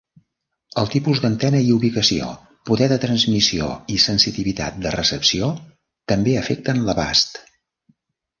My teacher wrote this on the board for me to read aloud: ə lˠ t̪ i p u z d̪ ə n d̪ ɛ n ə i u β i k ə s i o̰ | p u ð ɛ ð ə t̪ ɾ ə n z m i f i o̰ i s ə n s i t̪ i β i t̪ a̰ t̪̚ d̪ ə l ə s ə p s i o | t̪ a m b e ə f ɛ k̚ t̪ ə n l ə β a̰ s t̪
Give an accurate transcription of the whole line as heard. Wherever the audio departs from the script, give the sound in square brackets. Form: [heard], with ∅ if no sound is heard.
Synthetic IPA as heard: ə lˠ t̪ i p u z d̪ ə n [t̪] ɛ n ə i u β i k ə s i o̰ | p u ð ɛ ð ə t̪ ɾ ə n z m i [s] i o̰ i s ə n s i t̪ i β i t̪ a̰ t̪̚ d̪ ə [r] ə s ə p s i o | t̪ [ə] m b e ə f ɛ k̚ t̪ ə n l ə β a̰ s t̪